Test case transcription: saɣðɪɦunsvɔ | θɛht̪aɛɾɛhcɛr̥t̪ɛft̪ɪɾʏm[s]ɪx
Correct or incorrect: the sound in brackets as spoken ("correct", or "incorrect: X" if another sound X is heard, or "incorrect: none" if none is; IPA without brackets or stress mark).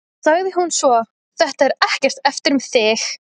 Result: incorrect: θ